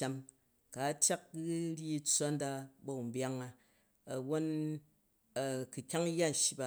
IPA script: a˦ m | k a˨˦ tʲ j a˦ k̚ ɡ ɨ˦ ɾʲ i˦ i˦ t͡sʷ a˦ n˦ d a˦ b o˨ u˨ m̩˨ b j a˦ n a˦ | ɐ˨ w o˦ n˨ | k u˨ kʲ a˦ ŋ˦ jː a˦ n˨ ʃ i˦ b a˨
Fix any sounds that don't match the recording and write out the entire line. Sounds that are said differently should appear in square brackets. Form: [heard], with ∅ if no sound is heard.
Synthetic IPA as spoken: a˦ m | k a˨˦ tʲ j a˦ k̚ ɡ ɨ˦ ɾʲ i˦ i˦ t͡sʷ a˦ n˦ d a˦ b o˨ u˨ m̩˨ b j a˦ [ŋ] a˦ | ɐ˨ w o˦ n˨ | k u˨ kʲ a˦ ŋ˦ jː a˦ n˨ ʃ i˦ b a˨